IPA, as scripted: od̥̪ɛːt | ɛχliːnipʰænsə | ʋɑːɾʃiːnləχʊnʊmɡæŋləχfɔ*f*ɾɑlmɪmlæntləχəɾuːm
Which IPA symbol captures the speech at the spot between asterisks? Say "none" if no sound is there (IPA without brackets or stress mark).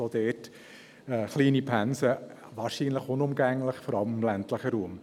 none